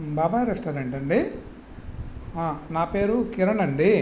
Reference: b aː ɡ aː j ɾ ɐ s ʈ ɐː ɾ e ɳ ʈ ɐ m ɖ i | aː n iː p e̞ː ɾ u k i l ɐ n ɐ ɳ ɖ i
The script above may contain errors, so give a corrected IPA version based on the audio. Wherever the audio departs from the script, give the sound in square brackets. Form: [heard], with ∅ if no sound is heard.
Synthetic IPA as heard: b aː [b] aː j ɾ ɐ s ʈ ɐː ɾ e ɳ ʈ ɐ [ɳ] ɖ i | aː n [aː] p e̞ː ɾ u k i [ɾ] ɐ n ɐ ɳ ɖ i